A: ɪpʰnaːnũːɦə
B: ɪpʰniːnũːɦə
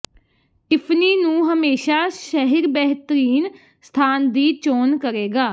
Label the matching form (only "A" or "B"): B